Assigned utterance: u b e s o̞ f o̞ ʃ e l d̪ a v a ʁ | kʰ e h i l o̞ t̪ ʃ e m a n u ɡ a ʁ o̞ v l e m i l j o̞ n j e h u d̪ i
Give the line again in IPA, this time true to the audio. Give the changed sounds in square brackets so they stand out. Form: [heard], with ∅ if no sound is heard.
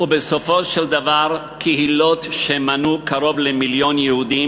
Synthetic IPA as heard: u b e s o̞ f o̞ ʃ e l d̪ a v a ʁ | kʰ e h i l o̞ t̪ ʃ e m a n u [k] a ʁ o̞ v l e m i l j o̞ n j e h u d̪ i